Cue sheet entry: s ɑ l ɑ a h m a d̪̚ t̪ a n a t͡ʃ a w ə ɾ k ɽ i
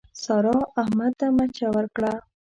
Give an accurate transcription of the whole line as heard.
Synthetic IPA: s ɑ ɾ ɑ a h m a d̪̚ t̪ a m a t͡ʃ a w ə ɾ k ɽ a